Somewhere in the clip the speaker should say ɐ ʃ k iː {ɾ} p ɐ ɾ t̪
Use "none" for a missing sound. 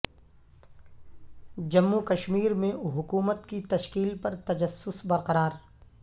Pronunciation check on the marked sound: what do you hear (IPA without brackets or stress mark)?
l